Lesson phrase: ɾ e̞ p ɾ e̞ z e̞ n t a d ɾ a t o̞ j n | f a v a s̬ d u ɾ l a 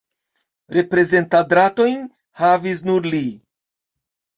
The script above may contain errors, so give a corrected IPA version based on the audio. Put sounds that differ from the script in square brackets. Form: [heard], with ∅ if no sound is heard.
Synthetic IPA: ɾ e̞ p ɾ e̞ z e̞ n t a d ɾ a t o̞ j n | [h] a v [i] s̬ [n] u ɾ l [i]